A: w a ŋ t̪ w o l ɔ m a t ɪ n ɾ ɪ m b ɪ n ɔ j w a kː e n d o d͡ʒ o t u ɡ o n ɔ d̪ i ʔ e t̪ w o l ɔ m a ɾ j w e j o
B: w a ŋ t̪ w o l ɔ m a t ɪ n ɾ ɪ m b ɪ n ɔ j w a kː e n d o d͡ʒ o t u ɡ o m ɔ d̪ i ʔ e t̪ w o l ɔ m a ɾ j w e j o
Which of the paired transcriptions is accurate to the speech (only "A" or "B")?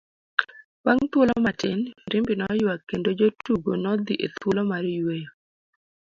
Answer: A